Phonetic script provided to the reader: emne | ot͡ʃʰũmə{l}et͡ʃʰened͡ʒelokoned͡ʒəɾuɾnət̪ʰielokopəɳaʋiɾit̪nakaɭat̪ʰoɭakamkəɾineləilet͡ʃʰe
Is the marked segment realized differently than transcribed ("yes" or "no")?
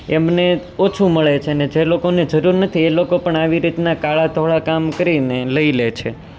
yes